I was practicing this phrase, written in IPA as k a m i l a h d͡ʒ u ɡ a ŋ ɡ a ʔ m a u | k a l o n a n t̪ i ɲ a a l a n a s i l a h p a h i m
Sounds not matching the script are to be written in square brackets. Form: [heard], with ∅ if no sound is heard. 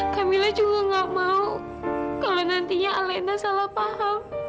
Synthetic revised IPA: k a m i l a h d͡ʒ u ɡ a ŋ ɡ a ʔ m a u | k a l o n a n t̪ i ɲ a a l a n a s [a] l a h p a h [a] m